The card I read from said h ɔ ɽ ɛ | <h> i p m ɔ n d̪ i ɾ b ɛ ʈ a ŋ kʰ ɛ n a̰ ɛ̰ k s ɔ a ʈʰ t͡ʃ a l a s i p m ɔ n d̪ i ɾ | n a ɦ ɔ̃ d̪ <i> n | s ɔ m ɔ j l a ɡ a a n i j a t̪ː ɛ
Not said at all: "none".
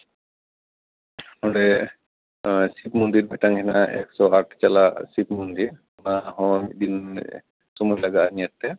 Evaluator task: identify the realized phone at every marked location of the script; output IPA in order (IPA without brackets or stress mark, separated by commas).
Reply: s, i